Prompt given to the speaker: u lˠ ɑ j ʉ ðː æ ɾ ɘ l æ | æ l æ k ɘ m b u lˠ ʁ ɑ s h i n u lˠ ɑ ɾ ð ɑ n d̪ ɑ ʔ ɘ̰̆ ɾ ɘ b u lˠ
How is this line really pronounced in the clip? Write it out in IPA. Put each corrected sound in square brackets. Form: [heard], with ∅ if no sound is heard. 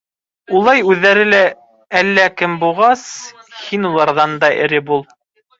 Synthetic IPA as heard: u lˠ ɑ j ʉ ðː æ ɾ ɘ l æ | æ [lː] æ k ɘ m b u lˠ ʁ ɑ s h i n u lˠ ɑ ɾ ð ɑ n d̪ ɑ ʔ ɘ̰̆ ɾ ɘ b u lˠ